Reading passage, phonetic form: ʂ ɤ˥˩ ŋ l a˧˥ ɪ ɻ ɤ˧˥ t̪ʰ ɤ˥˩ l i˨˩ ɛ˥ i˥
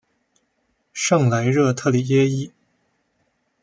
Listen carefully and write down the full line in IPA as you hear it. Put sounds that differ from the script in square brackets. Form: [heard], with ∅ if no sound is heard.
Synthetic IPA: ʂ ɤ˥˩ ŋ l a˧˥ ɪ ɻ [ɤ˥˧] t̪ʰ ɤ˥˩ l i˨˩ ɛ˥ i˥